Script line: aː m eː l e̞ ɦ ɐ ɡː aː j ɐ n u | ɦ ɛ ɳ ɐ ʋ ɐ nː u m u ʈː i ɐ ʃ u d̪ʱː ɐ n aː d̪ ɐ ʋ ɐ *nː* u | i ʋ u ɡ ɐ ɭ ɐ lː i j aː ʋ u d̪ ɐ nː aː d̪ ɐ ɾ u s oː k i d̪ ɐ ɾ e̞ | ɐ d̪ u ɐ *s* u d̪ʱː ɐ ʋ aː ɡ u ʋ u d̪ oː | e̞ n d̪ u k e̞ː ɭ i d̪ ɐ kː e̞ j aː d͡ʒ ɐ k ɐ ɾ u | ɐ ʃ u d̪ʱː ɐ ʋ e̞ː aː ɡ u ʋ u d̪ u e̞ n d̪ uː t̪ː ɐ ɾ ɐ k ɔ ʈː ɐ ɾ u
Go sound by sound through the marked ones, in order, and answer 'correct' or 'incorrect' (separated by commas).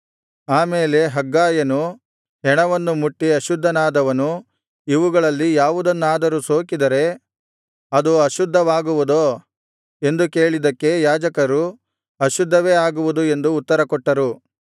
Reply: incorrect, incorrect